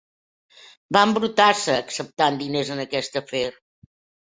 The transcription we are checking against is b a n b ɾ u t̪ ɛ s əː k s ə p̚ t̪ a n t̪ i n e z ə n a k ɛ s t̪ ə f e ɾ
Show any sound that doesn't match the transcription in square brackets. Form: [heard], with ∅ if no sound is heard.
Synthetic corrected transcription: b a [m] b ɾ u t̪ [a] s əː k s ə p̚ t̪ a n [d̪] i n e z ə n [ə] k ɛ s t̪ ə f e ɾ